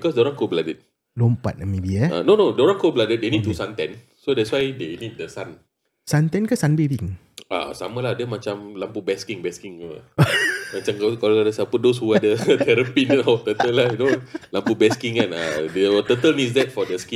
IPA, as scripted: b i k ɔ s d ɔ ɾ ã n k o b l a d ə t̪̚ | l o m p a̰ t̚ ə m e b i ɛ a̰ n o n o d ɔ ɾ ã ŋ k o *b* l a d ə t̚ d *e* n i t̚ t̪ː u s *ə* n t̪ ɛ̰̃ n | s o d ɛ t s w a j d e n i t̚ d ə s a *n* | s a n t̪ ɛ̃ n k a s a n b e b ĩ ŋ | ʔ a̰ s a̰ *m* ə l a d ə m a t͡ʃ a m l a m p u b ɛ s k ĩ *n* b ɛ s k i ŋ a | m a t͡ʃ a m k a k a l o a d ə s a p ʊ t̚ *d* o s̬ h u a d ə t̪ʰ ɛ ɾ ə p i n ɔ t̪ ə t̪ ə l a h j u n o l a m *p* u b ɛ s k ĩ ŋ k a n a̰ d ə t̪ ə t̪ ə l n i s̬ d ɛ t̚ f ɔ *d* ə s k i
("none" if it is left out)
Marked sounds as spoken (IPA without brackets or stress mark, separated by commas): b, e, a, n, m, ŋ, d, p, d